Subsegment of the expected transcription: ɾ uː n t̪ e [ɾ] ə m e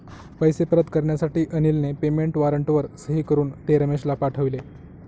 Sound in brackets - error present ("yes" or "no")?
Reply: no